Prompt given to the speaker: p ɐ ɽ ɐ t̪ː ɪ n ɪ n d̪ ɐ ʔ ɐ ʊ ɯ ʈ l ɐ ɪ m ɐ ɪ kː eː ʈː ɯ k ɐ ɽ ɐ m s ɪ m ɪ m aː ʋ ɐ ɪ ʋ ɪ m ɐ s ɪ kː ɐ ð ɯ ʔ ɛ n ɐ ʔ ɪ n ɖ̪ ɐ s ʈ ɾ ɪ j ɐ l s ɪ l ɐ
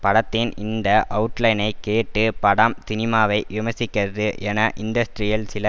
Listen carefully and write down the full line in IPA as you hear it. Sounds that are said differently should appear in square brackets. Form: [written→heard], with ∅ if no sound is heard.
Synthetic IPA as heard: p ɐ ɽ ɐ t̪ː ɪ n ɪ n d̪ ɐ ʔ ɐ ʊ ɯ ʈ l ɐ ɪ [m→n] ɐ ɪ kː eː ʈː ɯ [k→p] ɐ ɽ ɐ m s ɪ [m→n] ɪ m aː ʋ ɐ ɪ ʋ ɪ m ɐ s ɪ kː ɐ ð ɯ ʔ ɛ n ɐ ʔ ɪ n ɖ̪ ɐ s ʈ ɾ ɪ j ɐ l s ɪ l ɐ